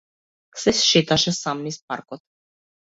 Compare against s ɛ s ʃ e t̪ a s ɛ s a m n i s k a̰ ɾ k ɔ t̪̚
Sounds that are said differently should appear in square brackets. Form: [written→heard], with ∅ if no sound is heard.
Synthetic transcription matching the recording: s ɛ s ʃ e t̪ a [s→ʃ] ɛ s a m n i s [k→p] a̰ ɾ k ɔ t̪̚